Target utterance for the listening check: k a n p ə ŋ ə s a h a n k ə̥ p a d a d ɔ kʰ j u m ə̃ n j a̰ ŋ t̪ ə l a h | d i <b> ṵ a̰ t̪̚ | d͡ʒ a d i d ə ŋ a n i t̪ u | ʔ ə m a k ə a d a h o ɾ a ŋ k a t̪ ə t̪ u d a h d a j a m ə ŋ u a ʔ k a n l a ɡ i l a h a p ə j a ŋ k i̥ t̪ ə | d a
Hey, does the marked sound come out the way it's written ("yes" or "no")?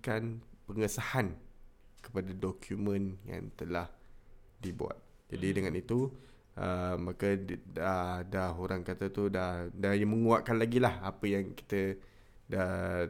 yes